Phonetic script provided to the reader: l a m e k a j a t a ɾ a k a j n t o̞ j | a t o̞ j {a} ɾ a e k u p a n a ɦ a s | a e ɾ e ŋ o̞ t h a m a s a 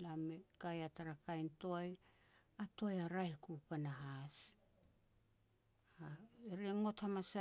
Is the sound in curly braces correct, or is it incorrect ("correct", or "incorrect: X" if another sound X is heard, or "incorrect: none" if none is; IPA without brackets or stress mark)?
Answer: correct